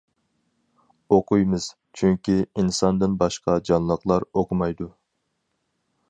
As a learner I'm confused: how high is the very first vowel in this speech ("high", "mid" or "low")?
mid